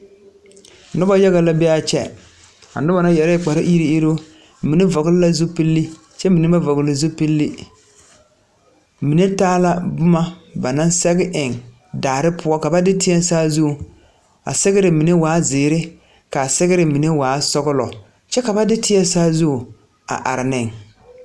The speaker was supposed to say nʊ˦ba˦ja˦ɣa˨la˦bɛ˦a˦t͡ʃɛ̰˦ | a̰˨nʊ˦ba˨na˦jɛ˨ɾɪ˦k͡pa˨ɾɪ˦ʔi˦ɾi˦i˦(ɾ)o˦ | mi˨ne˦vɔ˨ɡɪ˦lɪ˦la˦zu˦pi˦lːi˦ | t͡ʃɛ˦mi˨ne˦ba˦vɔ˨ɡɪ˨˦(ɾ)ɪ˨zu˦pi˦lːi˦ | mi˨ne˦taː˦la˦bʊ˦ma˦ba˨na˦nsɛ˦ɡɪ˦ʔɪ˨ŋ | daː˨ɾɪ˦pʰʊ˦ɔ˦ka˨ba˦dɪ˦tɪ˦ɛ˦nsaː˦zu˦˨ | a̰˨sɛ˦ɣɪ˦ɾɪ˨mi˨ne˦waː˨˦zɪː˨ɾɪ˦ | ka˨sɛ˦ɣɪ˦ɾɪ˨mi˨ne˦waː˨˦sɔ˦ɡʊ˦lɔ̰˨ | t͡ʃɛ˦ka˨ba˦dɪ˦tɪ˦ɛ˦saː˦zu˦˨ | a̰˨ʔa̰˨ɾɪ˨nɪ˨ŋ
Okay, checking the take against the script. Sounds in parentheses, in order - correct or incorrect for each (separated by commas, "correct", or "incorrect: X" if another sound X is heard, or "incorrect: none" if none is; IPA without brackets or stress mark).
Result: correct, incorrect: l